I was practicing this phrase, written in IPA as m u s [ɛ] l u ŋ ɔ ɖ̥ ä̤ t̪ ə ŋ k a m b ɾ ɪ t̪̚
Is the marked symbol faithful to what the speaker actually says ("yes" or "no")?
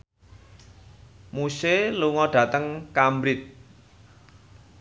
no